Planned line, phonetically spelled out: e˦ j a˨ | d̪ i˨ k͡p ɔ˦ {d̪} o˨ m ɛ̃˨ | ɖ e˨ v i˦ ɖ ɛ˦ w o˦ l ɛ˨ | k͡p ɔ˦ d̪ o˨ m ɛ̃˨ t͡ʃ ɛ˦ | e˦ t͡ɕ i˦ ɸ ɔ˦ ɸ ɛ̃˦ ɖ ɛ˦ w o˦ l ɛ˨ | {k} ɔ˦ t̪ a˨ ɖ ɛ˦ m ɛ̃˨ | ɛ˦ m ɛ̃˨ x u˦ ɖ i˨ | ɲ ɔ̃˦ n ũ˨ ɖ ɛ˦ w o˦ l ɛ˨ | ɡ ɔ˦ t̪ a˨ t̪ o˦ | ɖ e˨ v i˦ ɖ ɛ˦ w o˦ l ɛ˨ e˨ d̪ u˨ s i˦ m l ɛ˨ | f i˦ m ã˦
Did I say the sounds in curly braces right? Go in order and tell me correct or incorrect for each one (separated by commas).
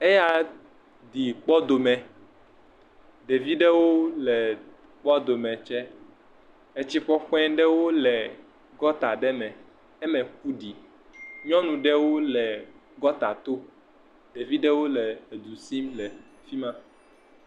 correct, incorrect